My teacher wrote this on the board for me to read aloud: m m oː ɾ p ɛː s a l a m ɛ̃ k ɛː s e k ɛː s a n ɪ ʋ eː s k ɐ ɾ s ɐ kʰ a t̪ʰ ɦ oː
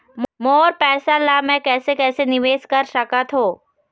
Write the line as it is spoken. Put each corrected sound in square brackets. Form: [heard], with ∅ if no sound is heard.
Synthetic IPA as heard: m m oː ɾ p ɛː s a l a m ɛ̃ k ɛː s e k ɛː s [e] n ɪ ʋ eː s k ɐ ɾ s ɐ [k] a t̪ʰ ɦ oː

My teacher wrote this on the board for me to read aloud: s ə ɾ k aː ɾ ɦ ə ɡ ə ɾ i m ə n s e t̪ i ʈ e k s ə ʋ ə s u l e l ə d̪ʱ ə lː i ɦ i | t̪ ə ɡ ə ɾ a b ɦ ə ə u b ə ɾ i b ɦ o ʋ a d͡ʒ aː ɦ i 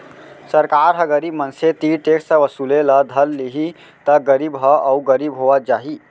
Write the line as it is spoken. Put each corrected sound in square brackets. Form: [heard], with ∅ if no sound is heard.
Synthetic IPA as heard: s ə ɾ k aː ɾ ɦ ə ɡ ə ɾ i m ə n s e t̪ i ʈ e k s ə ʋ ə s u l e l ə d̪ʱ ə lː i ɦ i | t̪ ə ɡ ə ɾ [i] b ɦ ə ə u [ɡ] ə ɾ i b ɦ o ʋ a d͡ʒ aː ɦ i

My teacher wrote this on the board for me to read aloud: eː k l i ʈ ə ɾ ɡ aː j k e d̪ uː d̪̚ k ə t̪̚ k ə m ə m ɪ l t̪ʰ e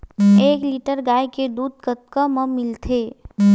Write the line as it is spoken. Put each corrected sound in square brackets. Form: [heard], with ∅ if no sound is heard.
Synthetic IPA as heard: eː k l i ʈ ə ɾ ɡ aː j k e d̪ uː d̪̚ k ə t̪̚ k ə m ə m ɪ l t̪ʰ e

